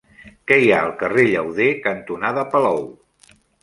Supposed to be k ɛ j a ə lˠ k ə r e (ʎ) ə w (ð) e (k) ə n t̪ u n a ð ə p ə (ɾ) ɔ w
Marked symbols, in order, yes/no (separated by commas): yes, yes, yes, no